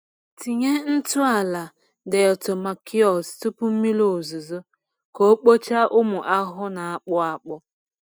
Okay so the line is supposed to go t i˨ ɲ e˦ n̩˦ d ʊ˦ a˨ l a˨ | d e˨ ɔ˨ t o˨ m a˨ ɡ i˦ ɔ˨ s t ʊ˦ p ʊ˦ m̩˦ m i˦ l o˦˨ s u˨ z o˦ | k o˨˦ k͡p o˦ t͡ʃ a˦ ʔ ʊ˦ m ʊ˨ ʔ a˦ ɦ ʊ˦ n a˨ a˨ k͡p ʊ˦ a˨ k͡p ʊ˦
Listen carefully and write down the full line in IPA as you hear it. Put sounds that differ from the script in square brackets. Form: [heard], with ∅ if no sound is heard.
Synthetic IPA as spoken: t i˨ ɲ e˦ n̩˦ [t] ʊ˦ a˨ l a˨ | d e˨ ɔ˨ t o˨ m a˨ [k] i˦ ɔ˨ s t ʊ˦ p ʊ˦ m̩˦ m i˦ l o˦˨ [z] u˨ z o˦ | k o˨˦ k͡p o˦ t͡ʃ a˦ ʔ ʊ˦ m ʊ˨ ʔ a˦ ɦ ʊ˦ n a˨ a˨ k͡p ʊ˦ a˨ k͡p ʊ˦